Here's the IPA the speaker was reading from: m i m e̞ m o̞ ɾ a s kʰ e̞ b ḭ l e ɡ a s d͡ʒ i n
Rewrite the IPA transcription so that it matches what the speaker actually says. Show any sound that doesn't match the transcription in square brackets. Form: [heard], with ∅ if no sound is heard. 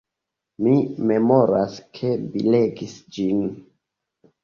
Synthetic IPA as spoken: m i m e̞ m o̞ ɾ a s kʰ e̞ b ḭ l e ɡ [i] s d͡ʒ i n